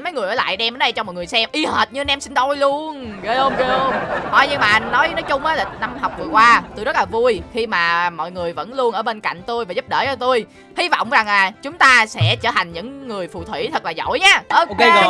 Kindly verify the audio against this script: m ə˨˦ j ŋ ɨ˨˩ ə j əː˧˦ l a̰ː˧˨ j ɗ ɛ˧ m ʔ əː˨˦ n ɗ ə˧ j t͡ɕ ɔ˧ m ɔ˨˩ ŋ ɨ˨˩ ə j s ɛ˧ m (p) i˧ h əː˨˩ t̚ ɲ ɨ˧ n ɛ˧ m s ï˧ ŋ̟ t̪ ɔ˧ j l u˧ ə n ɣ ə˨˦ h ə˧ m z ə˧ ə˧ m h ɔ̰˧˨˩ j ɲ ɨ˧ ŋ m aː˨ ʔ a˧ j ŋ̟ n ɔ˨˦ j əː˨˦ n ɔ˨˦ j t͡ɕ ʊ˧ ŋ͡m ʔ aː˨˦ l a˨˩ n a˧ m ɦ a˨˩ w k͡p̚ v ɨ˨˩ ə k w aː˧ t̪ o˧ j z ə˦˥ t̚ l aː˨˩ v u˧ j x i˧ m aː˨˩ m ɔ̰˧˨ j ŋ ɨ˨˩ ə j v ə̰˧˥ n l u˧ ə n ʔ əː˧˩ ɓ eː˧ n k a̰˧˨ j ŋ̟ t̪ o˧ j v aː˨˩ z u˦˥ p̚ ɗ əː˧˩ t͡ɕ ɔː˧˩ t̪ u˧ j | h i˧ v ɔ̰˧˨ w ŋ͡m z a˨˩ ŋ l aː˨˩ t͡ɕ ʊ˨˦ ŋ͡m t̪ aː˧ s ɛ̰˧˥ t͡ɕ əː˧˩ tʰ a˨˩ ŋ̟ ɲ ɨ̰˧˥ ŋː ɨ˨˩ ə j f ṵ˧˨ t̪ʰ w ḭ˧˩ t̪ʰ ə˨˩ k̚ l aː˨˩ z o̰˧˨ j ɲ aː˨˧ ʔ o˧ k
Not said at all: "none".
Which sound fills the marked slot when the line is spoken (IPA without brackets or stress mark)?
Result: ʔ